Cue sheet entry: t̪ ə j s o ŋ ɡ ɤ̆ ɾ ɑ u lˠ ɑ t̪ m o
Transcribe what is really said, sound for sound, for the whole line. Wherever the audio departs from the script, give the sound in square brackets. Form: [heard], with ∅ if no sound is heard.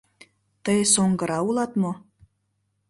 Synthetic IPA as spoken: t̪ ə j s o ŋ ɡ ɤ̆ ɾ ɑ u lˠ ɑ t̪ m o